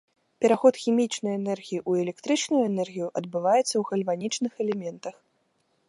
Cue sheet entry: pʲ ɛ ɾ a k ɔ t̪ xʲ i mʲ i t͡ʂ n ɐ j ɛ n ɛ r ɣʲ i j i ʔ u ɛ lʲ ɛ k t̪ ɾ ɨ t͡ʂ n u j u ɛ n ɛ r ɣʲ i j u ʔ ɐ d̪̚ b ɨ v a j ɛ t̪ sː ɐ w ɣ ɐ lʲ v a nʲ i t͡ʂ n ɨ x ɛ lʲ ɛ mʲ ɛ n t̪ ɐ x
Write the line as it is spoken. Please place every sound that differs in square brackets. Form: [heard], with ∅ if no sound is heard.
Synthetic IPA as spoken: pʲ ɛ ɾ a [x] ɔ t̪ xʲ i mʲ i t͡ʂ n ɐ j ɛ n ɛ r ɣʲ i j i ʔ u ɛ lʲ ɛ k t̪ ɾ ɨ t͡ʂ n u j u ɛ n ɛ r ɣʲ i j u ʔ ɐ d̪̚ b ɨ v a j ɛ t̪ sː ɐ w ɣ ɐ lʲ v a nʲ i t͡ʂ n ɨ x ɛ lʲ ɛ mʲ ɛ n t̪ ɐ x